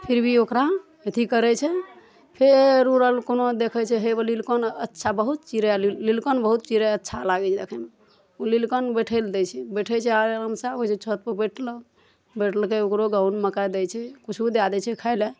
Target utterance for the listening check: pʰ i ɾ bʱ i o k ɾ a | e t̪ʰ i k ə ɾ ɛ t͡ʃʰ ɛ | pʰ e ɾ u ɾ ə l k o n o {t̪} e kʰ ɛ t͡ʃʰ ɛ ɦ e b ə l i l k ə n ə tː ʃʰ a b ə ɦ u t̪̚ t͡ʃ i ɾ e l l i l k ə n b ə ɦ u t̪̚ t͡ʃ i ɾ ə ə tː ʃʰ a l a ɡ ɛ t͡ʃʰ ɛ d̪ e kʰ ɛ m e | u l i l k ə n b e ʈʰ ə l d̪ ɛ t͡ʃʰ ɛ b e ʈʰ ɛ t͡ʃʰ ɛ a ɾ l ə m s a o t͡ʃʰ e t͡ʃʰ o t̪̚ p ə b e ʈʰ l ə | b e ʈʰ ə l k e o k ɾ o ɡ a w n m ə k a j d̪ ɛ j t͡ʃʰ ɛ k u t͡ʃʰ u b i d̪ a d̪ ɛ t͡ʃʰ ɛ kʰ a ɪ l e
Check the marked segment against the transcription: incorrect: d̪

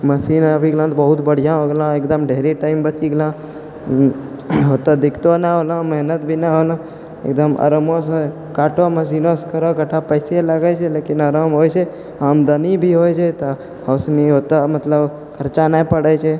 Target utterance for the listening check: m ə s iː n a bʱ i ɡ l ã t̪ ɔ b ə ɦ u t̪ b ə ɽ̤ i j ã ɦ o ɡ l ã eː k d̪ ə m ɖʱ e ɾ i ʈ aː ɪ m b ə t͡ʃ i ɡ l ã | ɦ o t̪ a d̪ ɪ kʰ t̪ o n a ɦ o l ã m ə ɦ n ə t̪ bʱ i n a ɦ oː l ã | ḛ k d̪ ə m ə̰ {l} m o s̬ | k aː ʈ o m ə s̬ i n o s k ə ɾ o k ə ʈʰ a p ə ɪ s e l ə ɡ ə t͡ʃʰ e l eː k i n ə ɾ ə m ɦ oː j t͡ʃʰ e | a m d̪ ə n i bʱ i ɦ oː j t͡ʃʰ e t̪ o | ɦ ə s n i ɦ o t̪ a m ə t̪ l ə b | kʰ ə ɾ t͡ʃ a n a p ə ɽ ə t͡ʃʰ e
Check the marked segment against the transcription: incorrect: ɾ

